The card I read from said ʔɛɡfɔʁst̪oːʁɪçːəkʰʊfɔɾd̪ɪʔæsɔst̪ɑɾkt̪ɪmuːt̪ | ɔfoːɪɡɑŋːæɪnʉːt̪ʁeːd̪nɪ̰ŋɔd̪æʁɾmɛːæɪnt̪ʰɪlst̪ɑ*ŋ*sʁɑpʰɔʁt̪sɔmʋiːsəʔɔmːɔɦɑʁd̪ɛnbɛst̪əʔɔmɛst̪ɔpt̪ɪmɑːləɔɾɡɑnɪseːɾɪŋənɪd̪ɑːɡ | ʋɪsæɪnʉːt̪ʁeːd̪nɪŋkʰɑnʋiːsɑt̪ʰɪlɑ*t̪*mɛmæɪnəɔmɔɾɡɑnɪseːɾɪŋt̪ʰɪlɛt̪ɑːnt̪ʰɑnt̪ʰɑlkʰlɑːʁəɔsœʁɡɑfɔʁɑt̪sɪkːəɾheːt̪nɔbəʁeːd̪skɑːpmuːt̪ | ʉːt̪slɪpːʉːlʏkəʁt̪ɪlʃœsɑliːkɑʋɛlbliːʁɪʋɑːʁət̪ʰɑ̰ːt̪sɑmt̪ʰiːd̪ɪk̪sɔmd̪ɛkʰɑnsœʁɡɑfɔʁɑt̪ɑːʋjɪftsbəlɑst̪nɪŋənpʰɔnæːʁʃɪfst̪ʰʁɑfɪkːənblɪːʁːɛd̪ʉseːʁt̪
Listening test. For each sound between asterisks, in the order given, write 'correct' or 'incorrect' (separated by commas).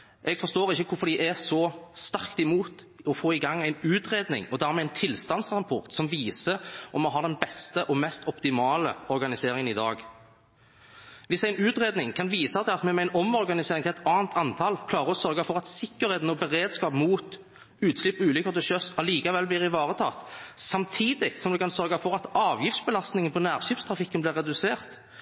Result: incorrect, correct